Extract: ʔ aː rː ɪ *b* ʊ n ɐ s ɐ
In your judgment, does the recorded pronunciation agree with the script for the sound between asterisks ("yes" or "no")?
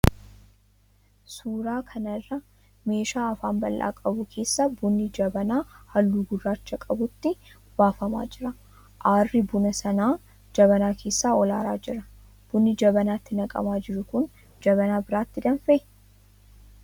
yes